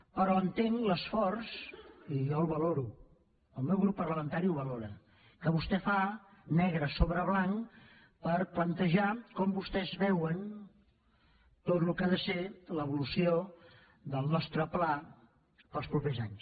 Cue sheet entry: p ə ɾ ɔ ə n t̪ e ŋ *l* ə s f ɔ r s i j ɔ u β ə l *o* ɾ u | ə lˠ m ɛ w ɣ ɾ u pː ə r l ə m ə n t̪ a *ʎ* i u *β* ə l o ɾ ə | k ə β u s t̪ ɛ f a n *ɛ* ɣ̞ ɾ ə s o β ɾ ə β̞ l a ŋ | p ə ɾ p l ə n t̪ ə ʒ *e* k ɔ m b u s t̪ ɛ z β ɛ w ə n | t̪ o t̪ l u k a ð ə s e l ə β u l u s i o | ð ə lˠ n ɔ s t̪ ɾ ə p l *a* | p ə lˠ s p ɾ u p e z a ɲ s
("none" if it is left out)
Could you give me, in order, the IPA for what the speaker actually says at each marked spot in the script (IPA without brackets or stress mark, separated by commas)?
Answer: l, o, ɾ, β, ɛ, a, a